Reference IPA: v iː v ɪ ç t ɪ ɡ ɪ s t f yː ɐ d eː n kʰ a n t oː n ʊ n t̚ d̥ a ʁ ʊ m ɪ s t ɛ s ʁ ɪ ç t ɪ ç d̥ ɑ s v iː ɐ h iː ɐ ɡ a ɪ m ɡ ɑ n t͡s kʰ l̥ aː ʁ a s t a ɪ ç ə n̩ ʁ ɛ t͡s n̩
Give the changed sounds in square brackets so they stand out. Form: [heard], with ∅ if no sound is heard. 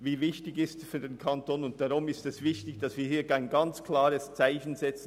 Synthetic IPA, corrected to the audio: v iː v ɪ ç t ɪ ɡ ɪ s t f yː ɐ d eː n kʰ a n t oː n ʊ n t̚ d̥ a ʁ ʊ m ɪ s t ɛ s [v] ɪ ç t ɪ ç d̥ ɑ s v iː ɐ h iː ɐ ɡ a ɪ [n] ɡ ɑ n t͡s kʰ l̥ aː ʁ [ə] s [t͡s] a ɪ ç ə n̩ [z] ɛ t͡s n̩